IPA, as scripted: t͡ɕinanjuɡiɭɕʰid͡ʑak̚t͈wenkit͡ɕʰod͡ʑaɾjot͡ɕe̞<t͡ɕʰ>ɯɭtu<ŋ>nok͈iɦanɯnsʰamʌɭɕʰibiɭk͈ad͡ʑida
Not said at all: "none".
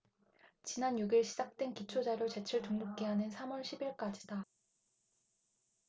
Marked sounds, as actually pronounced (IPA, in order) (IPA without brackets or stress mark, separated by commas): t͡ɕʰ, ŋ